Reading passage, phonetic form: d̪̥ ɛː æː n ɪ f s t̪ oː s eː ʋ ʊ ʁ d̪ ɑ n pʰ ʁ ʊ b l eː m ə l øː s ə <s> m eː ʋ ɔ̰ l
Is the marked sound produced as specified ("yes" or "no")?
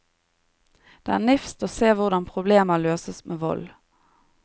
yes